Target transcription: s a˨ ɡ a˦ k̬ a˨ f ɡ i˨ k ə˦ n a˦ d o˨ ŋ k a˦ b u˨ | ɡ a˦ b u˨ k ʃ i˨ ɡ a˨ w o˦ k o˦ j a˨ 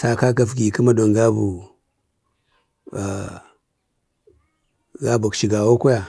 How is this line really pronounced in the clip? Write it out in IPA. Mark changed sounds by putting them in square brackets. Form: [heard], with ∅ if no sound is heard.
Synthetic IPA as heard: s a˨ [k] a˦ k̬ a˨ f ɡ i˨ k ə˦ [m] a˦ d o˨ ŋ [ɡ] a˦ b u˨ | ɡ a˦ b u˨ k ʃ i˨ ɡ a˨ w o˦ k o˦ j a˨